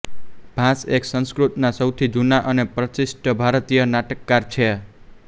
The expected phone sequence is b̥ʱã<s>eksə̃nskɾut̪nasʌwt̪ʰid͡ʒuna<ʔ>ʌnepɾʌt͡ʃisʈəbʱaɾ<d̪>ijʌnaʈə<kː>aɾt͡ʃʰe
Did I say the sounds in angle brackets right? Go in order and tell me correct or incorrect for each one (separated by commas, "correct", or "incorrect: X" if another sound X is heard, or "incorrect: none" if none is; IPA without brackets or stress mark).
correct, correct, incorrect: t̪, correct